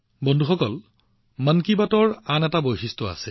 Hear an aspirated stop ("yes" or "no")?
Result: no